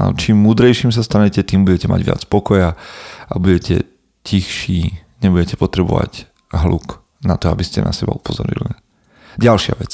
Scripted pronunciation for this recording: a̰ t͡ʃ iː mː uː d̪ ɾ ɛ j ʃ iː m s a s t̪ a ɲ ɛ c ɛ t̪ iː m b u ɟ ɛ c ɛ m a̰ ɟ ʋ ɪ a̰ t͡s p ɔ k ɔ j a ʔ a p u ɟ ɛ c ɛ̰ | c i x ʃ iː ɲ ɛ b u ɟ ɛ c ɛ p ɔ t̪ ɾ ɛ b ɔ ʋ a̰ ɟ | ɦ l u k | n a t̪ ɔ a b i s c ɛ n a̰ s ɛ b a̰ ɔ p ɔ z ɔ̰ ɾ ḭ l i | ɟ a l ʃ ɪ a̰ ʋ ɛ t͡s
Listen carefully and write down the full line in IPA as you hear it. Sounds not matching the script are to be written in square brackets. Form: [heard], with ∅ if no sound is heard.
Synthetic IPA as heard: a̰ t͡ʃ iː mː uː d̪ ɾ ɛ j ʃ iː m s a s t̪ a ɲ ɛ c ɛ t̪ iː m b u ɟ ɛ c ɛ m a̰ ɟ ʋ ɪ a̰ t͡s p ɔ k ɔ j a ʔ a [b] u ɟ ɛ c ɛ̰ | c i x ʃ iː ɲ ɛ b u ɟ ɛ c ɛ p ɔ t̪ ɾ ɛ b ɔ ʋ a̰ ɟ | ɦ l u k | n a t̪ ɔ a b i s c ɛ n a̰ s ɛ b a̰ [u] p ɔ z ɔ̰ ɾ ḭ l i | ɟ a l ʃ ɪ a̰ ʋ ɛ t͡s